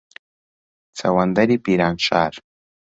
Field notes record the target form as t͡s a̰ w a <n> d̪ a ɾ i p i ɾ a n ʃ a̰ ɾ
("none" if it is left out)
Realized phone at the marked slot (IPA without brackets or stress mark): n